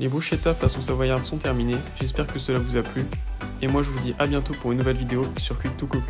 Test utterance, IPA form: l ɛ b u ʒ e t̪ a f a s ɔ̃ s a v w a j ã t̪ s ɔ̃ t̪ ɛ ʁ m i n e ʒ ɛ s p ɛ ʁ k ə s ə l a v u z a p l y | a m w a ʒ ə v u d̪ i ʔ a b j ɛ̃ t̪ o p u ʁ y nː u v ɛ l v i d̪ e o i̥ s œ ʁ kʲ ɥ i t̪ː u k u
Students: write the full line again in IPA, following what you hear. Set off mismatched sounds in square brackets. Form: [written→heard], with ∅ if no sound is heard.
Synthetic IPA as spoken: l [ɛ→e] b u [ʒ→ʃ] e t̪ a f a s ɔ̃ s a v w a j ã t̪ s ɔ̃ t̪ ɛ ʁ m i n e ʒ ɛ s p ɛ ʁ k ə s ə l a v u z a p l y | [a→e] m w a ʒ ə v u d̪ i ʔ a b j ɛ̃ t̪ o p u ʁ y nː u v ɛ l v i d̪ e o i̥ s [œ→y] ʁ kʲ ɥ i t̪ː u k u